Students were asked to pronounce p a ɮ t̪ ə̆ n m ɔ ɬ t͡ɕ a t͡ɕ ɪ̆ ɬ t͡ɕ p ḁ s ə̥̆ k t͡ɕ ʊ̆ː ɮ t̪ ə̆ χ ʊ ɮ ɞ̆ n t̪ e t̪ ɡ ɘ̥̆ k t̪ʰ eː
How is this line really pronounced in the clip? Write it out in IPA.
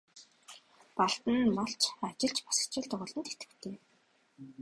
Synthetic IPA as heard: p a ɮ t̪ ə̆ n m ɔ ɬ t͡ɕ a t͡ɕ ɪ̆ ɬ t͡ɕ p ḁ s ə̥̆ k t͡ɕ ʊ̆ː ɮ t̪ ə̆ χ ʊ ɮ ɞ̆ n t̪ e t̪ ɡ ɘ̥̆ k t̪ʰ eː